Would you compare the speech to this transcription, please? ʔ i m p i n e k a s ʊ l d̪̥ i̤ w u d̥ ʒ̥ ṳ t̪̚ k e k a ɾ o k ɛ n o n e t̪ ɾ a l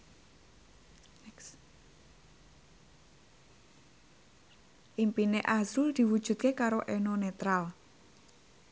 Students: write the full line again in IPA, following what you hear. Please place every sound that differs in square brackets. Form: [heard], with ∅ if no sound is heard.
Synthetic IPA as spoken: ʔ i m p i n e [ʔ] a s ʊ l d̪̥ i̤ w u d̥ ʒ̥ ṳ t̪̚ k e k a ɾ o [ʔ] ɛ n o n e t̪ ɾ a l